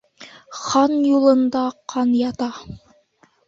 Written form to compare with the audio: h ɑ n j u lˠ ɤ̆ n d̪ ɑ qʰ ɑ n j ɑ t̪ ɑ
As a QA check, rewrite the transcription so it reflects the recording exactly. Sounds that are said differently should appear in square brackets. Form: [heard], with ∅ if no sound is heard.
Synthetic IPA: [χ] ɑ n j u lˠ ɤ̆ n d̪ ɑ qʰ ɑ n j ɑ t̪ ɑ